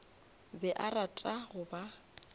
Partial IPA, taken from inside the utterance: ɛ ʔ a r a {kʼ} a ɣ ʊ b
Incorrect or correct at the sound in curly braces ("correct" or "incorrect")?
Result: incorrect